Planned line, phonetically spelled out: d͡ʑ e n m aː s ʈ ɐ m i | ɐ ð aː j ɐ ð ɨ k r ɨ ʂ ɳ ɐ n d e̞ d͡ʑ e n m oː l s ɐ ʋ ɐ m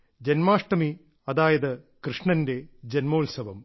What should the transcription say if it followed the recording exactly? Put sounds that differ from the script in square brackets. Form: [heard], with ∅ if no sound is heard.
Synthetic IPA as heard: d͡ʑ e n m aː [ʂ] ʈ ɐ m i | ɐ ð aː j ɐ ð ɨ k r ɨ ʂ ɳ ɐ n d e̞ d͡ʑ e n m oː l s ɐ ʋ ɐ m